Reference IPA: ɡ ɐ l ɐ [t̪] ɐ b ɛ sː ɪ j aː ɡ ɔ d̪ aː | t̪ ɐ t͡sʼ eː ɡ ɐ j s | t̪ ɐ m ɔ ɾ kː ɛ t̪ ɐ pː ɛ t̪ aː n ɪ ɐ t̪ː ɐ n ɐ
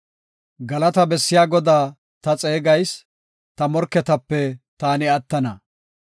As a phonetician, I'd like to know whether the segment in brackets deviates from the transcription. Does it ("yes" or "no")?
no